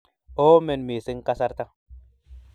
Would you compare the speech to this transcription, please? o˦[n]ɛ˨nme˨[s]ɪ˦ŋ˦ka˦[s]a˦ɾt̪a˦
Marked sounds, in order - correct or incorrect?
incorrect: m, correct, correct

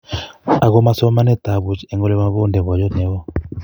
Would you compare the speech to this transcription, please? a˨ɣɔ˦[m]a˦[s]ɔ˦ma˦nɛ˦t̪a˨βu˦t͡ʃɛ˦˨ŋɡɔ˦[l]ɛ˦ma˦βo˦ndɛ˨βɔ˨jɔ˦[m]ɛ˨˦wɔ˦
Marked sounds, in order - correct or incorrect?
correct, correct, correct, incorrect: n

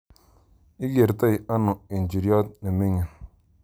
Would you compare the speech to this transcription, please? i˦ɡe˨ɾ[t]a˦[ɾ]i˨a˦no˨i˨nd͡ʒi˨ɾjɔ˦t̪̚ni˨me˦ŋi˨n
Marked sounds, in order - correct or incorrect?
correct, incorrect: none

